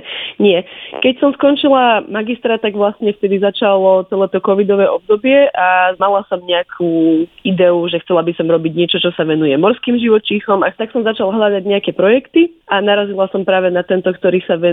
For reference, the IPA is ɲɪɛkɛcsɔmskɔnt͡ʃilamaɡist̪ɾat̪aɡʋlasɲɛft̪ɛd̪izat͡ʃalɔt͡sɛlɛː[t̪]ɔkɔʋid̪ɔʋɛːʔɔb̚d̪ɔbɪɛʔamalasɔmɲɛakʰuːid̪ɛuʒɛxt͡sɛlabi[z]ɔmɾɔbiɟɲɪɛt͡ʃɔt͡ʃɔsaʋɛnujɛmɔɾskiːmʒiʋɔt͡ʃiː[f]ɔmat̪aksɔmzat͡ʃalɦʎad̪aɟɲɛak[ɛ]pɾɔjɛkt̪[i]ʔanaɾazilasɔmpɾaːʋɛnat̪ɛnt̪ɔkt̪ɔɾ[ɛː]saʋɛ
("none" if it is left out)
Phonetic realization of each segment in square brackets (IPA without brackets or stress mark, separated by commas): t̪, s, x, ɛ, i, iː